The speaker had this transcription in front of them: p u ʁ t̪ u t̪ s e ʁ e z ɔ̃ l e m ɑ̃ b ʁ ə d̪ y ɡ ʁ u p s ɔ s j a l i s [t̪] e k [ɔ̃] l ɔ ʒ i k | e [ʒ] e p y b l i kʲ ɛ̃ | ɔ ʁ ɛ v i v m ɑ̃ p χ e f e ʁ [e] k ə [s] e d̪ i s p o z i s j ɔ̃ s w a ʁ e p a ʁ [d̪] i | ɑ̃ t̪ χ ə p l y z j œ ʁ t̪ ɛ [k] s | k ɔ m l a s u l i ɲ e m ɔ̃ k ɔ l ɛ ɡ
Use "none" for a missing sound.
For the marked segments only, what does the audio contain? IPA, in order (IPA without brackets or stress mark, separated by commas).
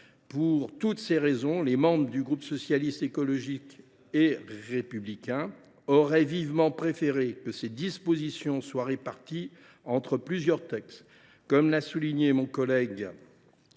t̪, ɔ, ʁ, e, s, t̪, k